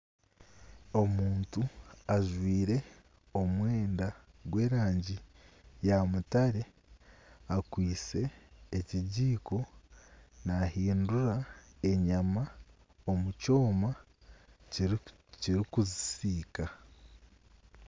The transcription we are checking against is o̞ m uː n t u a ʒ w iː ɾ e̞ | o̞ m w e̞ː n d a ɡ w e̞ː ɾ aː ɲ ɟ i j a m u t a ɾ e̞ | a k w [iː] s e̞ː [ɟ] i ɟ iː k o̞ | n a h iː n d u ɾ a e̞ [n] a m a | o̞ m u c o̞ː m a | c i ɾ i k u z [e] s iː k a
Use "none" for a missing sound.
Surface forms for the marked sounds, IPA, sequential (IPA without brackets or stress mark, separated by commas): iː, c, ɲ, i